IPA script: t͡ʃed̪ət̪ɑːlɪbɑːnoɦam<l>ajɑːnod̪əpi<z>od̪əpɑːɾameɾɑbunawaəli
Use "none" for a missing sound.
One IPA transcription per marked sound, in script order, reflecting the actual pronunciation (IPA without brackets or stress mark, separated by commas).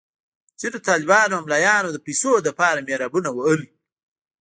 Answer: l, s